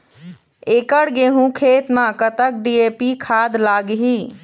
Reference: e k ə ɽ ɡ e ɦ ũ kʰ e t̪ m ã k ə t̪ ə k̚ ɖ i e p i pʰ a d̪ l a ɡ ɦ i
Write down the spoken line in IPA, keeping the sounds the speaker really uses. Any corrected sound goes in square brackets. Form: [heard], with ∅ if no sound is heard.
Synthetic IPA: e k ə ɽ ɡ e ɦ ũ kʰ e t̪ m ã k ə t̪ ə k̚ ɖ i e p i [kʰ] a d̪ l a ɡ ɦ i